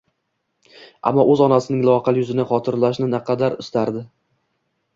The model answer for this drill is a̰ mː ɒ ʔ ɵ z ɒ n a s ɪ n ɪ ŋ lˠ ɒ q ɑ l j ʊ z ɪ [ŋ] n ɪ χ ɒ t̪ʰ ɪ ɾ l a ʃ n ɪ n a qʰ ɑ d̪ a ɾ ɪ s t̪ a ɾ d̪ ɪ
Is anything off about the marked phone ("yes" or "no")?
yes